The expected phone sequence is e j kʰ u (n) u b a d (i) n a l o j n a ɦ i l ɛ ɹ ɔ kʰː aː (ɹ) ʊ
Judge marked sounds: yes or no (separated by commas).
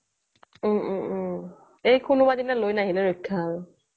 yes, yes, yes